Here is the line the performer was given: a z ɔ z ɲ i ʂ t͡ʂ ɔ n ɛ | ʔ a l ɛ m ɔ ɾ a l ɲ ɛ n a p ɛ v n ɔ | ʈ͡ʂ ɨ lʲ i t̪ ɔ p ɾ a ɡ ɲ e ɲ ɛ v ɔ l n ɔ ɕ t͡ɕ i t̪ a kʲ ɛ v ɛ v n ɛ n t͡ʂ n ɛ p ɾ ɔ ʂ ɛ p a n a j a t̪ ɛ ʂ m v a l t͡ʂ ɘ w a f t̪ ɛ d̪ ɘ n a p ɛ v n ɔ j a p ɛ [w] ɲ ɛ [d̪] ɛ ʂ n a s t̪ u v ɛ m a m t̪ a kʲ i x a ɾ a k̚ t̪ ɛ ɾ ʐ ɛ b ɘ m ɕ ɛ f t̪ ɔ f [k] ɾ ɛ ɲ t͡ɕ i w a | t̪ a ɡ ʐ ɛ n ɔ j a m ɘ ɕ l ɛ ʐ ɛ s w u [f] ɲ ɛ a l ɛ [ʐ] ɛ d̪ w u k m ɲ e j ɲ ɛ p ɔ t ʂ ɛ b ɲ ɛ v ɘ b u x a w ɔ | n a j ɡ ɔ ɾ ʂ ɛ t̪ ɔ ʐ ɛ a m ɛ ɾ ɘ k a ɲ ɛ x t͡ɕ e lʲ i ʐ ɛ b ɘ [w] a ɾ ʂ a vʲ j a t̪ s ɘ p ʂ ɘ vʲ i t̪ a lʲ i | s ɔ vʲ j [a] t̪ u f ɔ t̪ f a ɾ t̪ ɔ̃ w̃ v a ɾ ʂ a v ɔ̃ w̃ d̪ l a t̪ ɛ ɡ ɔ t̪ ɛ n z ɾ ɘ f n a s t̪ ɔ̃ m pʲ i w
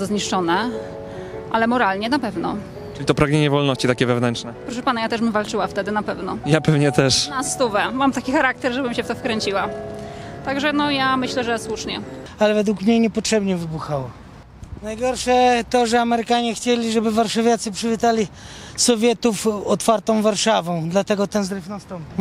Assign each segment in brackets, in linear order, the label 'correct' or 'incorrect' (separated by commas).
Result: incorrect, incorrect, correct, incorrect, incorrect, incorrect, incorrect